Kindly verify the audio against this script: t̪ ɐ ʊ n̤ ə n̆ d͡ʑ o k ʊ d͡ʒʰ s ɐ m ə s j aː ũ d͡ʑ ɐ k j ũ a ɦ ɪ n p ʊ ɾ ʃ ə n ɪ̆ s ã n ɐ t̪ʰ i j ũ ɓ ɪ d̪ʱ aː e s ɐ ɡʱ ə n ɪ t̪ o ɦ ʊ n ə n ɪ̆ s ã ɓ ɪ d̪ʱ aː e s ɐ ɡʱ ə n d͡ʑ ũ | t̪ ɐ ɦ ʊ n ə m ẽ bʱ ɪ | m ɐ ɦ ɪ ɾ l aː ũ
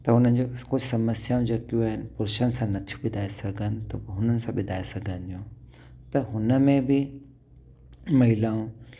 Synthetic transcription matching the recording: t̪ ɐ ʊ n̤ ə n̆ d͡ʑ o k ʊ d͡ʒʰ s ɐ m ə s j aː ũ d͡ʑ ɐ k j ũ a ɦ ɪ n p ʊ ɾ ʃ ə n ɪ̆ s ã n ɐ t̪ʰ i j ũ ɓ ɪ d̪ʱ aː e s ɐ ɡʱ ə n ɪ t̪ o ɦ ʊ n ə n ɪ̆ s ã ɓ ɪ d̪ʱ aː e s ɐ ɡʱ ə n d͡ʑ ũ | t̪ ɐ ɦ ʊ n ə m ẽ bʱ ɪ | m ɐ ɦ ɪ l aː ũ